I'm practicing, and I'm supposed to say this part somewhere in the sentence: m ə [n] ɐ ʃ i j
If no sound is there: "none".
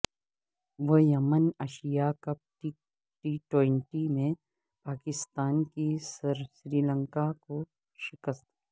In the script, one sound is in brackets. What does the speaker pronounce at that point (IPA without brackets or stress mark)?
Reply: n